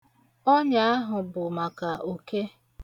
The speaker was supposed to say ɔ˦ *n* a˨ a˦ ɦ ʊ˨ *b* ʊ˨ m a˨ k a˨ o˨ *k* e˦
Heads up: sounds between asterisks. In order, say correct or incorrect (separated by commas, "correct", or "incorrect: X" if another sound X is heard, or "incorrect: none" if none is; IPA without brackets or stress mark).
incorrect: ɲ, correct, correct